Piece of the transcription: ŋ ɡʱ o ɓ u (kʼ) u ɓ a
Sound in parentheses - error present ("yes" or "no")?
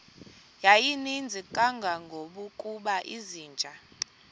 no